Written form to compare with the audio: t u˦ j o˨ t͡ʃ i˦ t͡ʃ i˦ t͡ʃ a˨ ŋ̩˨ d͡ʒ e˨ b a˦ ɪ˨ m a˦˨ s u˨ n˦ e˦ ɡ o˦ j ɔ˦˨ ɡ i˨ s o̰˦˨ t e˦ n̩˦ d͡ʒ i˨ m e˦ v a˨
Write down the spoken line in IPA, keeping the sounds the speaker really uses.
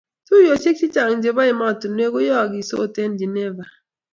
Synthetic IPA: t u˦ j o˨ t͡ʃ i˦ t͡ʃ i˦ t͡ʃ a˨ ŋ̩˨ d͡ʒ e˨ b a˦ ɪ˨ m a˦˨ t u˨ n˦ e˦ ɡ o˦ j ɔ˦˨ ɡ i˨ s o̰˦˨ t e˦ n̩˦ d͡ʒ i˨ n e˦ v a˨